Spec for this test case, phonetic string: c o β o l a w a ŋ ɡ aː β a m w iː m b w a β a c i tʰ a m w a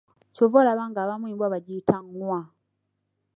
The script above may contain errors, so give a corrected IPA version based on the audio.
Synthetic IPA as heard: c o v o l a β a ŋ ɡ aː β a m w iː m b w a β a ɟ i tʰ a ŋ w a